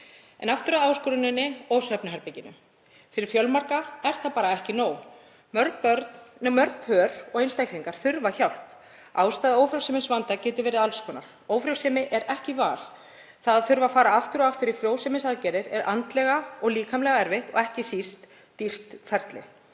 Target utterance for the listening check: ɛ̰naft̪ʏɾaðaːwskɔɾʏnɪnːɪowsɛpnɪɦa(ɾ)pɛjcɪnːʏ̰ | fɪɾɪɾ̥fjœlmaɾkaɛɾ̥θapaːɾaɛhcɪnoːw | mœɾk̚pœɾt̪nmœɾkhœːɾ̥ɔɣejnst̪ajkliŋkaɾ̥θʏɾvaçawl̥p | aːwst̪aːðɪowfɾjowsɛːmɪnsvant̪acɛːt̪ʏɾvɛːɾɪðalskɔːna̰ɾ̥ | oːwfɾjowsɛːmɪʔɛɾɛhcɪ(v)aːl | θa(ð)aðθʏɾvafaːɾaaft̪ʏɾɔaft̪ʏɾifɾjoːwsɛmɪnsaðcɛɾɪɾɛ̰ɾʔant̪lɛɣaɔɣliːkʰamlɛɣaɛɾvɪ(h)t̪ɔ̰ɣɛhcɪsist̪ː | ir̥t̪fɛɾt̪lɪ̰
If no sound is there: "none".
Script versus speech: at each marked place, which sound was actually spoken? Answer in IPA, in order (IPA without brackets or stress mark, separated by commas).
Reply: ɾ, v, ð, h